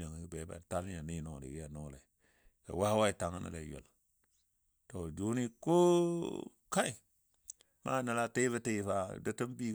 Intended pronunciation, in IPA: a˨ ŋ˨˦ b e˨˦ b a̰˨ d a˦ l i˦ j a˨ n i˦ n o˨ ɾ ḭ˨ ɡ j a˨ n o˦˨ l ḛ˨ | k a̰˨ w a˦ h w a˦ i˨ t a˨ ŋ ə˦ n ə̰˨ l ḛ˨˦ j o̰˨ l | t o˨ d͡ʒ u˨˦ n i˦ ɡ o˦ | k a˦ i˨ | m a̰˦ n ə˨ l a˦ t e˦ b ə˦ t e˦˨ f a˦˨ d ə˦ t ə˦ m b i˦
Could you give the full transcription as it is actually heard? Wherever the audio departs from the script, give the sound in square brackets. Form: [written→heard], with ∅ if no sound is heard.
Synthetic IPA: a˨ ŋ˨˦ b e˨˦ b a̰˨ [d→t] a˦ l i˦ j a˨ n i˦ n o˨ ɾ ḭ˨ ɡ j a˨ n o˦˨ l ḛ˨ | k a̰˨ w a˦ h w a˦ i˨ t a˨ ŋ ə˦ n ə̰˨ l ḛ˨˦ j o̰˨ l | t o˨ d͡ʒ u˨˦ n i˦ [ɡ→k] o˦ | k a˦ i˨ | m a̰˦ n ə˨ l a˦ t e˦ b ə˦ t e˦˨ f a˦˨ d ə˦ t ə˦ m b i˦